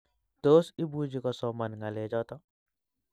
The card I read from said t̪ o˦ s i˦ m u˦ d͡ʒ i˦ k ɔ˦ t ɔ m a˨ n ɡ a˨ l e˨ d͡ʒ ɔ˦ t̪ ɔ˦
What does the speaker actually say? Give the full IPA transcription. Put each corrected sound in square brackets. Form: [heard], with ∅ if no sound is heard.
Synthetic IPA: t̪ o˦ s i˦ [b] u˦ d͡ʒ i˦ k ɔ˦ [s] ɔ m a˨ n [ŋ] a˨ l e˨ d͡ʒ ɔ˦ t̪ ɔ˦

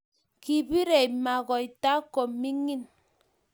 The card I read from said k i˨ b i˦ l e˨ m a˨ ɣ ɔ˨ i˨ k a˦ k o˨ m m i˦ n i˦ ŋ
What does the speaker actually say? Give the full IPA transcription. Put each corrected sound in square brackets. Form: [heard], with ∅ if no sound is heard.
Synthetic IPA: k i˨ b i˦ [ɾ] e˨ m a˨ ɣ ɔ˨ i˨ [t] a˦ k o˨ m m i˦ [ŋ] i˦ [n]

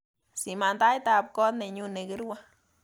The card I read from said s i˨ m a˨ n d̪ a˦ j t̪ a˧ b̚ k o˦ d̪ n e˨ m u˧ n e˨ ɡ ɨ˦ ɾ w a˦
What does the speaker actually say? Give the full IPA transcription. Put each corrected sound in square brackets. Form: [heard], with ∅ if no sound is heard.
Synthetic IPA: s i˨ m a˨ n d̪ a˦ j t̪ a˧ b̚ k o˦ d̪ n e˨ [ɲ] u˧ n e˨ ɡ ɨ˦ ɾ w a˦

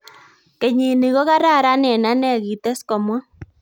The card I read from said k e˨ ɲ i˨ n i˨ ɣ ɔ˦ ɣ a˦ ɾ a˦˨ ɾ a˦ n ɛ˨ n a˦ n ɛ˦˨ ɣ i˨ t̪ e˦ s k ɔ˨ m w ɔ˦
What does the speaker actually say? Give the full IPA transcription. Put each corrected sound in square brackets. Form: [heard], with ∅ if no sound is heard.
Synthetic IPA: k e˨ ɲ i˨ n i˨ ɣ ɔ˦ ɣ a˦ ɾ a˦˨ ɾ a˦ n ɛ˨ n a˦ n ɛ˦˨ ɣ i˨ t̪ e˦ s k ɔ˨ m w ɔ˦

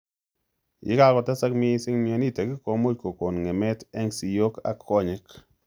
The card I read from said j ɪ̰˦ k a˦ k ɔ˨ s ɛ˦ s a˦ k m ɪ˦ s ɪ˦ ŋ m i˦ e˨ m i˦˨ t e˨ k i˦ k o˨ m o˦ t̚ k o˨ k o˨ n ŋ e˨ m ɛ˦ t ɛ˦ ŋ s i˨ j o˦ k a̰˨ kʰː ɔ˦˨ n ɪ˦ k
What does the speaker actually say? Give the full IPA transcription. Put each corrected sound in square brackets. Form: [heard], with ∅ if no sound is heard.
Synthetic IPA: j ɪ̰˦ k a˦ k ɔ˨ [t] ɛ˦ s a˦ k m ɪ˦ s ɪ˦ ŋ m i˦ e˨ [n] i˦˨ t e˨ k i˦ k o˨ m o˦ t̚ k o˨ k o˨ n ŋ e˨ m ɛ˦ t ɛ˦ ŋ s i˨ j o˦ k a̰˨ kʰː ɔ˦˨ [ɲ] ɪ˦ k

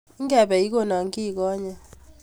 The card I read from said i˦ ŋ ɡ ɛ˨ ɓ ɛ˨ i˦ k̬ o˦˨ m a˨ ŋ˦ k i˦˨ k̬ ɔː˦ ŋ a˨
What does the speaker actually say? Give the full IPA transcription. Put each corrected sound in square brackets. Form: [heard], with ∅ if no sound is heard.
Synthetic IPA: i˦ ŋ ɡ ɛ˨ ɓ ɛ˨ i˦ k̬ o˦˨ [n] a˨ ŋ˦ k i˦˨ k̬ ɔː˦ [ɲ] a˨

